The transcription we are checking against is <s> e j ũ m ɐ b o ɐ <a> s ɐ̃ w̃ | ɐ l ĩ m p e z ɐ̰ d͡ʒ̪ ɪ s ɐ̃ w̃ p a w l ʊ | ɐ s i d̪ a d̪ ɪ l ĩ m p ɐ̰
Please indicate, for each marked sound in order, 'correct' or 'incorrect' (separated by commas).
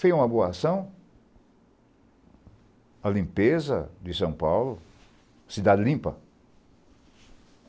incorrect, correct